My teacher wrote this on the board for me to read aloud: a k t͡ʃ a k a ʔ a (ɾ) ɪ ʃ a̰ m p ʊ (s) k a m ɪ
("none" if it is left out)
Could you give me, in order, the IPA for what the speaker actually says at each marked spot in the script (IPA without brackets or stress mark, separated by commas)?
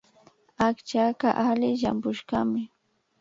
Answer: l, ʃ